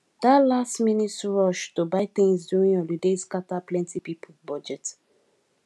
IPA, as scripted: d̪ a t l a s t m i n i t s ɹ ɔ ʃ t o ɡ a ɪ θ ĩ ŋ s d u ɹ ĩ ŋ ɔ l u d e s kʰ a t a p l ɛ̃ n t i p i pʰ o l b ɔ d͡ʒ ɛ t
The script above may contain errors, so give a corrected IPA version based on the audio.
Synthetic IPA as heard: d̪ a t l a s t m i n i t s ɹ ɔ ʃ t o b a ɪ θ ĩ ŋ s d u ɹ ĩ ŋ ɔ l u d e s k a t a p l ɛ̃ n t i p i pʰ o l b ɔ d͡ʒ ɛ t